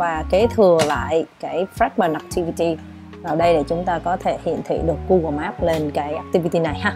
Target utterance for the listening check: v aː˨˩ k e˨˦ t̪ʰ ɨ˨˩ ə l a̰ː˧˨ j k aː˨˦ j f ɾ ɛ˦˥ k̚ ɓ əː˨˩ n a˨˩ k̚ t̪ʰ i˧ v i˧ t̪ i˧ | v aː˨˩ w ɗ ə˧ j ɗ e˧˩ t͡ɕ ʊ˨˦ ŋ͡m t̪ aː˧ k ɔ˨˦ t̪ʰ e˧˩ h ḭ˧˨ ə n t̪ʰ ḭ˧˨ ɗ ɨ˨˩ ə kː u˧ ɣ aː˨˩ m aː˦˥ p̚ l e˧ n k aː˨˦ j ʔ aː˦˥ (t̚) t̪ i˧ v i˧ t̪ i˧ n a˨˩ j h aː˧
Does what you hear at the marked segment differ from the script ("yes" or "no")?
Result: yes